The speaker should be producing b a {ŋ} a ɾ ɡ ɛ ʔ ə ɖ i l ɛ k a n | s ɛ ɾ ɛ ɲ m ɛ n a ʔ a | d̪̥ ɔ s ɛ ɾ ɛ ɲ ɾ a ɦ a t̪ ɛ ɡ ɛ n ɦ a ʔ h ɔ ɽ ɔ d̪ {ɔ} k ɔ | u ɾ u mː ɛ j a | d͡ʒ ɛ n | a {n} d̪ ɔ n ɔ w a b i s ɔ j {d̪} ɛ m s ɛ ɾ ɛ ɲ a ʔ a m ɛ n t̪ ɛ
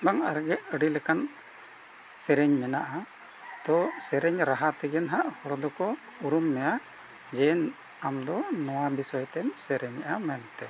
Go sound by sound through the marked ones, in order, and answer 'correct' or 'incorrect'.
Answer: correct, correct, incorrect, incorrect

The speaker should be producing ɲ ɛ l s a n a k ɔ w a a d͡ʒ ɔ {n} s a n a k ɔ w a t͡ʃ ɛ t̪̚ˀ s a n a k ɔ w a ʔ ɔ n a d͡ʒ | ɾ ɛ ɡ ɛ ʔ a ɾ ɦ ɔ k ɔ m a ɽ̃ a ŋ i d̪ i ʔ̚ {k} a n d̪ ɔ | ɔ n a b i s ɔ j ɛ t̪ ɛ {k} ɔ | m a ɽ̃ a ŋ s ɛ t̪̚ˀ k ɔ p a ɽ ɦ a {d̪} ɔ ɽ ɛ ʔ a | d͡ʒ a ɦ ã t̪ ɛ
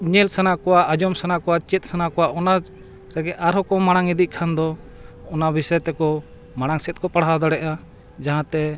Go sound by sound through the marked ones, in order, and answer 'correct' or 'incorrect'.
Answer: incorrect, incorrect, correct, correct

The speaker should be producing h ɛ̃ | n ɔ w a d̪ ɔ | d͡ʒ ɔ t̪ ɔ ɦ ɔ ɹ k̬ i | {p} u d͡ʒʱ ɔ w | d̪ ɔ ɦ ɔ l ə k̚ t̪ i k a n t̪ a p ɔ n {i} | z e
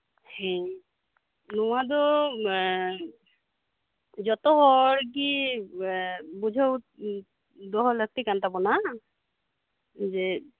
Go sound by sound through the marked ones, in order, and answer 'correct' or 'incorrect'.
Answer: incorrect, incorrect

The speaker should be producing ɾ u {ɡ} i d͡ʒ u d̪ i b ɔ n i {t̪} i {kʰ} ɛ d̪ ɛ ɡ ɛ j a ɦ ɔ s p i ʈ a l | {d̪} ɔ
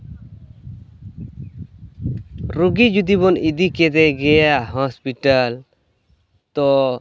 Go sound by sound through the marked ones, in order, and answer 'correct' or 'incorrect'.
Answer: correct, incorrect, incorrect, incorrect

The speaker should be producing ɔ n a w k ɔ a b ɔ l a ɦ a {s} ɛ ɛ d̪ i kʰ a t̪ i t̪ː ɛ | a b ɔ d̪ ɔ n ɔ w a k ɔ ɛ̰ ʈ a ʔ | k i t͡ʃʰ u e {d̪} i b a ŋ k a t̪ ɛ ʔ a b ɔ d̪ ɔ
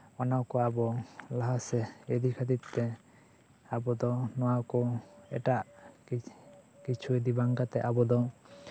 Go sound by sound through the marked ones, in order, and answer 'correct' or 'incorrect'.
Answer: correct, correct

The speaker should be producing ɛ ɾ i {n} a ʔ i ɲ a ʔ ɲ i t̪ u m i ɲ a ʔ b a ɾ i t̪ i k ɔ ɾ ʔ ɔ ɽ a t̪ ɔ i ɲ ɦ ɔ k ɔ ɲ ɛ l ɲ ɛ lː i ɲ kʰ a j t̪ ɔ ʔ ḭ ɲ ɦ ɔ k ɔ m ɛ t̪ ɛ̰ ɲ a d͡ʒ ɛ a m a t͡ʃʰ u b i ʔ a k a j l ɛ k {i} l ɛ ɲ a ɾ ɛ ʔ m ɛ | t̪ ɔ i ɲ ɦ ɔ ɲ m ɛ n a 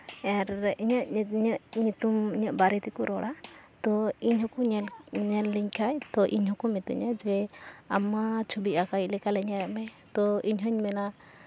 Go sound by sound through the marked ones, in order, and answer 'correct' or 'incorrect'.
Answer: incorrect, incorrect

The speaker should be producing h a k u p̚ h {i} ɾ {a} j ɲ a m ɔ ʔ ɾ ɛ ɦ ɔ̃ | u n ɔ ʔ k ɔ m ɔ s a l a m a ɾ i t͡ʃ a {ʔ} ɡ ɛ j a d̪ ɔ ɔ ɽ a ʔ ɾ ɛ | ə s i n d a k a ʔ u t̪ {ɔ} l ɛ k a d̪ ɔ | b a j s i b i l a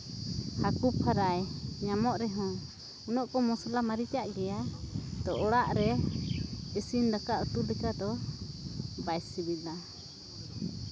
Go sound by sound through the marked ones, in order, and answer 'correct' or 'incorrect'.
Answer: incorrect, correct, correct, incorrect

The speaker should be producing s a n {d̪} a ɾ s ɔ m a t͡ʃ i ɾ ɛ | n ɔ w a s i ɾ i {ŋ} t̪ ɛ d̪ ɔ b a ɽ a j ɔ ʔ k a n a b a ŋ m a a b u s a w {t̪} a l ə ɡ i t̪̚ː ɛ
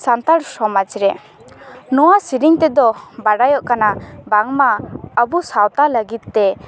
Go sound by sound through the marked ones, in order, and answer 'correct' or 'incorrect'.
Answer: incorrect, correct, correct

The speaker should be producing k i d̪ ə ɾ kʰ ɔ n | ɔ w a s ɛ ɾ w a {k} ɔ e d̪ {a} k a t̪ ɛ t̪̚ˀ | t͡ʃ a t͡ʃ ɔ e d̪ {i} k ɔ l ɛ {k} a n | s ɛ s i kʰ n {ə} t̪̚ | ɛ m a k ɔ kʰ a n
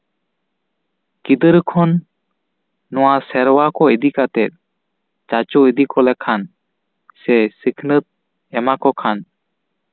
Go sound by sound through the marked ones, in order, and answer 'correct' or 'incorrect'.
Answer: correct, incorrect, correct, incorrect, correct

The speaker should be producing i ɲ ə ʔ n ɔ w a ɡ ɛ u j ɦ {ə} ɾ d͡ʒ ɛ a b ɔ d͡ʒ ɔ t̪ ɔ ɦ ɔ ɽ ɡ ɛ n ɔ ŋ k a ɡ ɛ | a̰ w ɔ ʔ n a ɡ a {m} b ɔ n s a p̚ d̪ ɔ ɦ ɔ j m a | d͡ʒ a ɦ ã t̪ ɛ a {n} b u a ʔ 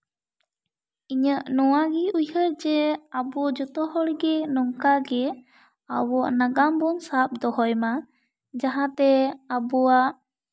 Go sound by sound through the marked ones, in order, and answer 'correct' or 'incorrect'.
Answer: correct, correct, incorrect

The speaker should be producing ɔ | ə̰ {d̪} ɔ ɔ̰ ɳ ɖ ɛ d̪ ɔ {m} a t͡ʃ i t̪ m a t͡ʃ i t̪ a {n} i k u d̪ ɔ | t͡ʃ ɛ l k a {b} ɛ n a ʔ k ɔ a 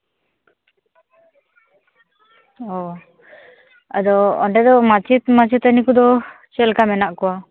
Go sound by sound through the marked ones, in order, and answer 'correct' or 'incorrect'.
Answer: correct, correct, correct, incorrect

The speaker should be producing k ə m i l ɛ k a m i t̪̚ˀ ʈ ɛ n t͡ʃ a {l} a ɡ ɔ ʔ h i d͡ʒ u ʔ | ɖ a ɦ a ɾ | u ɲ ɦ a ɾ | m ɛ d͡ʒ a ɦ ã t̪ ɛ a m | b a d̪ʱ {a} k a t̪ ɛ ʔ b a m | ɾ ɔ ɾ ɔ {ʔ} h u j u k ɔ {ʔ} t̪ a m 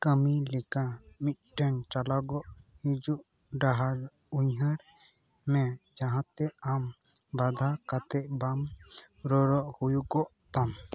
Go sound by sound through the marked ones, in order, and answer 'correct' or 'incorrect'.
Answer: correct, correct, correct, correct

